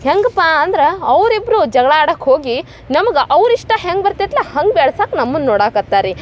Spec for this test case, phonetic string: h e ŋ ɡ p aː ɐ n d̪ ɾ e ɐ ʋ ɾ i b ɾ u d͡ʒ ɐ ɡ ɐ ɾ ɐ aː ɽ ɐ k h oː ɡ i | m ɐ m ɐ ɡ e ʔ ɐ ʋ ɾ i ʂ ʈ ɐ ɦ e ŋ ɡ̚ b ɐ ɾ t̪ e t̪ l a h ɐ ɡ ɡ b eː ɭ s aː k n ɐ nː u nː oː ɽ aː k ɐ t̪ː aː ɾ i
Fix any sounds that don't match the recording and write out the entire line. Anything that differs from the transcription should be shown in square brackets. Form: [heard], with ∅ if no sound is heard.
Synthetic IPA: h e ŋ ɡ p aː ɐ n d̪ ɾ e ɐ ʋ ɾ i b ɾ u d͡ʒ ɐ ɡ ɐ [ɭ] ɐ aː ɽ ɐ k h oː ɡ i | [n] ɐ m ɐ ɡ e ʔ ɐ ʋ ɾ i ʂ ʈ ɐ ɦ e ŋ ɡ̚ b ɐ ɾ t̪ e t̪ l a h ɐ [ŋ] ɡ b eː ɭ s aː k n ɐ [mː] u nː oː ɽ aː k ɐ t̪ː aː ɾ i